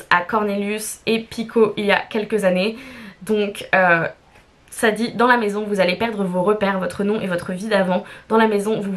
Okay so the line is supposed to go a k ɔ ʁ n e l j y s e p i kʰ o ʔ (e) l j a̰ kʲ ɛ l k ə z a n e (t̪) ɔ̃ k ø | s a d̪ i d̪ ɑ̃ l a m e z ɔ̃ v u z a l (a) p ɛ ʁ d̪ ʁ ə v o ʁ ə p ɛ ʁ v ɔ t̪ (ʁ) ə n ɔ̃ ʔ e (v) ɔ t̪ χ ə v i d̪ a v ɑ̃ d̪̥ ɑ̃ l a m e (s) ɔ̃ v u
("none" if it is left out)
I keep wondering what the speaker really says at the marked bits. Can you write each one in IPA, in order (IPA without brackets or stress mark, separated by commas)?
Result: i, d̪, e, χ, v, z